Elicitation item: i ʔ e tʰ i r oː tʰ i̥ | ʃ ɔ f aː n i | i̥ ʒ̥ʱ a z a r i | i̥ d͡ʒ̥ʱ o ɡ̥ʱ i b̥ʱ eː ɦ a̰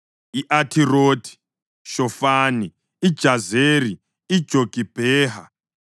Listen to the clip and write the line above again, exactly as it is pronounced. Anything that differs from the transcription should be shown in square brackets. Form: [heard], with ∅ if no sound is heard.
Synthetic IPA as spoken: i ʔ [a] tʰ i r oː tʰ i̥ | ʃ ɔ f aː n i | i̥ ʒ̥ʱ a z [e] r i | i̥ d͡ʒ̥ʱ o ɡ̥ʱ i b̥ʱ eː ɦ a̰